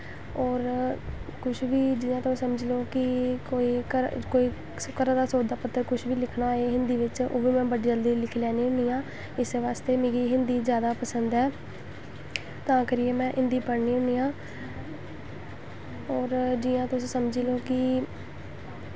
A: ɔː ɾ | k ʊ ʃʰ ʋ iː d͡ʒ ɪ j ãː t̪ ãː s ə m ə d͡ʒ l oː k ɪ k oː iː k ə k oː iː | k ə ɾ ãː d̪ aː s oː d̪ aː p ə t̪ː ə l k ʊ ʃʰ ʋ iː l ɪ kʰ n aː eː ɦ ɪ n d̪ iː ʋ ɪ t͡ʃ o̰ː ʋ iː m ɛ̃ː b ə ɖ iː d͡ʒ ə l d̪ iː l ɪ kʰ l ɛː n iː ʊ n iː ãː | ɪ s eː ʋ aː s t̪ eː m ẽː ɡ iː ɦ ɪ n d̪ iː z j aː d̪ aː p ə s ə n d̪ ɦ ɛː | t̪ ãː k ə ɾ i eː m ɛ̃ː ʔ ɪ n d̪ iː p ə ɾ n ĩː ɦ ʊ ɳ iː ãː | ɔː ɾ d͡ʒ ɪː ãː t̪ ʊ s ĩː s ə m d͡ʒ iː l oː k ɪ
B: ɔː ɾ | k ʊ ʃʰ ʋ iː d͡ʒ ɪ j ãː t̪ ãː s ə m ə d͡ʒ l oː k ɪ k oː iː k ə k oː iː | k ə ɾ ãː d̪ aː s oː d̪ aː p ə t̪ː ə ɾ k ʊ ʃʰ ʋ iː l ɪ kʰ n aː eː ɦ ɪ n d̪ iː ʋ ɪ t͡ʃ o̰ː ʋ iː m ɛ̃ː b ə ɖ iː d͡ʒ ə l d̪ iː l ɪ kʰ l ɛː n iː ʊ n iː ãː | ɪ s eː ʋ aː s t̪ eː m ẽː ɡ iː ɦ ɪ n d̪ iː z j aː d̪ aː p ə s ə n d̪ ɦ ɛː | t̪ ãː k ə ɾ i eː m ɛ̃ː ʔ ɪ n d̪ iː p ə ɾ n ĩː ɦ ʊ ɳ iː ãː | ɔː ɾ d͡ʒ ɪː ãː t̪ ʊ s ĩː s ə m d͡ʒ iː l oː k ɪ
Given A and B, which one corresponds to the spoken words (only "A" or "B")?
B